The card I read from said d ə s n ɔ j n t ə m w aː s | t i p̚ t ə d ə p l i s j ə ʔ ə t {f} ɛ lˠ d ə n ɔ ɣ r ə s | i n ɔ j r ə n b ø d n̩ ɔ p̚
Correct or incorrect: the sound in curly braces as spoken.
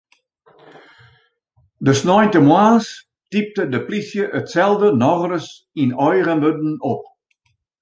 incorrect: s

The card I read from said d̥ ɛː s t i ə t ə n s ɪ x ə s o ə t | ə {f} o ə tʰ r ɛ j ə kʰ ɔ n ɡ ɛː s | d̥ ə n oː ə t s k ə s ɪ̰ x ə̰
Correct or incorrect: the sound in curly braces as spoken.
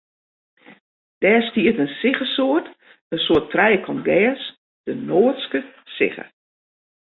incorrect: s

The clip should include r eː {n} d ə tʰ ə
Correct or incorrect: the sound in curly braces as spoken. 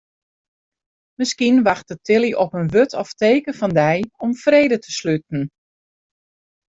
incorrect: none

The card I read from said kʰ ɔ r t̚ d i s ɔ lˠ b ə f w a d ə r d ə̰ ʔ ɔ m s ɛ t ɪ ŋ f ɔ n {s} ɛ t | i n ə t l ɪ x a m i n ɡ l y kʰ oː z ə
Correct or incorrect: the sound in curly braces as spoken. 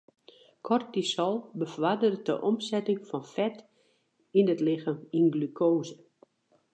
incorrect: f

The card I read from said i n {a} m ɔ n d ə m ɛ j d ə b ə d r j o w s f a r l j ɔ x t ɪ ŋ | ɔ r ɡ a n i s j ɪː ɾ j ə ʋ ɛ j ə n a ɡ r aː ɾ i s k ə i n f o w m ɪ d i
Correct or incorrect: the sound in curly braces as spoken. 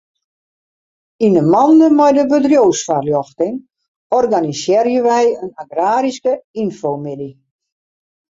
incorrect: ə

